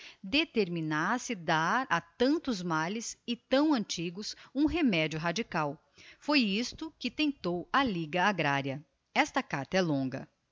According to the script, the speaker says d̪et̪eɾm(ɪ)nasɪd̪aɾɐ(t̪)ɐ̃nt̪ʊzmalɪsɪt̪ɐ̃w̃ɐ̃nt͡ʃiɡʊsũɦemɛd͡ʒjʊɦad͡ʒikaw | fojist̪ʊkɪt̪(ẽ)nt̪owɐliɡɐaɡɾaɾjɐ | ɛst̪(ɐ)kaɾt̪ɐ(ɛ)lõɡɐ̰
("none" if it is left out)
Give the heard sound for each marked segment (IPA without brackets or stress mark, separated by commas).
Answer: i, t̪, ẽ, ɐ, ɛ